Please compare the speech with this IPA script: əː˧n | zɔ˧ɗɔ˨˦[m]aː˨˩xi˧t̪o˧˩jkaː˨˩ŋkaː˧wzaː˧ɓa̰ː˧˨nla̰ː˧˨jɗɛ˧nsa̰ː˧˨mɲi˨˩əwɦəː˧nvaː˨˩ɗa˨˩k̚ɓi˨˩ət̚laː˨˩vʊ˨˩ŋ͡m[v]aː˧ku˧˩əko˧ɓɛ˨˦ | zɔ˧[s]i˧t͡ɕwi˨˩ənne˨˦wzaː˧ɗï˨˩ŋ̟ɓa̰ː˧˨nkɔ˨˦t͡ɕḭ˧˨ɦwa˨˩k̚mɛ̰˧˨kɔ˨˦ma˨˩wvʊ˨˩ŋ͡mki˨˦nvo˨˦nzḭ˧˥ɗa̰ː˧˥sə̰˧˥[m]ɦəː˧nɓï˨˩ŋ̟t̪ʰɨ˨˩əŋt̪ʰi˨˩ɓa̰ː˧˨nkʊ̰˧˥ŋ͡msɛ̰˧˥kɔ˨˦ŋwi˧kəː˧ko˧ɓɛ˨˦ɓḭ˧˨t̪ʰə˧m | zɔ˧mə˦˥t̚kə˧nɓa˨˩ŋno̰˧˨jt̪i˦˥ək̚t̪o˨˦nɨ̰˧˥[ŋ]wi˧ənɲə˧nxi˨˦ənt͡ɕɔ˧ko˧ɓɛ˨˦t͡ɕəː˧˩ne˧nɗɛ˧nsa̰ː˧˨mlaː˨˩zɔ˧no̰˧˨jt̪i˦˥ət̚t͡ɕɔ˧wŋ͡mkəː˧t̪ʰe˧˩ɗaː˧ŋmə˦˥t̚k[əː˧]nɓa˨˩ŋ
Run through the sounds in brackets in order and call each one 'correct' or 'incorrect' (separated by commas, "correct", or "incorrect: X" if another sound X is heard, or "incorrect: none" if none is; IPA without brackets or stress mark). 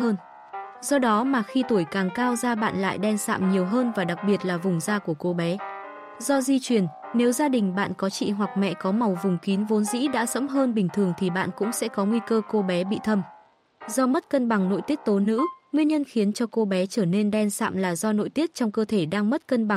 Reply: correct, incorrect: z, incorrect: z, correct, correct, incorrect: ə˧